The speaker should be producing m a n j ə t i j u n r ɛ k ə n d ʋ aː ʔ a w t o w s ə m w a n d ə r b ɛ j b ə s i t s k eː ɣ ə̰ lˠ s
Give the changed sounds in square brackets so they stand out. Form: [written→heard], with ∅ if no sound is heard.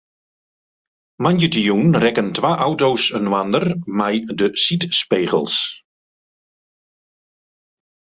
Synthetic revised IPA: m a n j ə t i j u n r ɛ k ə n [d→t] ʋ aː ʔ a w t o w s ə [m→n] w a n d ə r [b→m] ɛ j [b→d] ə s i t s [k→p] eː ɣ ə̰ lˠ s